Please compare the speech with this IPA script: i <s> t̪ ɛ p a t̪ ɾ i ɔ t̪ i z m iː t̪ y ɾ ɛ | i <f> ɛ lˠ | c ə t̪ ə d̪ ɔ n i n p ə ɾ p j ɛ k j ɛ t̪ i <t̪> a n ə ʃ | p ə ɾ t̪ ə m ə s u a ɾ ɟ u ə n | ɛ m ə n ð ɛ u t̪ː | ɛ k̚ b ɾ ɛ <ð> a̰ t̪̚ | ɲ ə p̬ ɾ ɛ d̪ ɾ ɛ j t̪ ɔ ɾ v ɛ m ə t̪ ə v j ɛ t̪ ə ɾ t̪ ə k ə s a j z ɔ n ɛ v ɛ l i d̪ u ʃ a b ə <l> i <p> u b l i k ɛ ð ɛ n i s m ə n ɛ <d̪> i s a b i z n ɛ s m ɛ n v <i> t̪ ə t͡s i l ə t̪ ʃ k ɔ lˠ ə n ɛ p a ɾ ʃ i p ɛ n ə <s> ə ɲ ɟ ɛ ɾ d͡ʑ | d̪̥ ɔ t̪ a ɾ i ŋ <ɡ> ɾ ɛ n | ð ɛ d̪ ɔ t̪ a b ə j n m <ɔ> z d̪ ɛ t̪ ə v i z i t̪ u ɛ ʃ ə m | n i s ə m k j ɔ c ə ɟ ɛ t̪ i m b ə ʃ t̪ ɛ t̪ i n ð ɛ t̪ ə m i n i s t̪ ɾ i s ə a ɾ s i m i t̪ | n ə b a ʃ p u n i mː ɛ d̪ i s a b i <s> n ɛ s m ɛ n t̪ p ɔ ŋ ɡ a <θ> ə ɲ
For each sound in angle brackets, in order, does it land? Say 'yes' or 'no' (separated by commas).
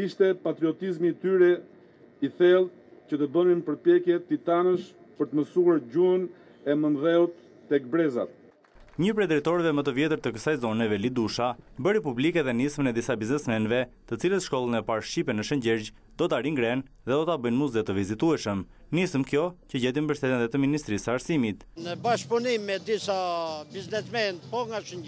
no, no, yes, no, no, yes, yes, no, no, yes, no, no, no